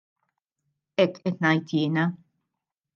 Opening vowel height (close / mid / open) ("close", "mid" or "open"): mid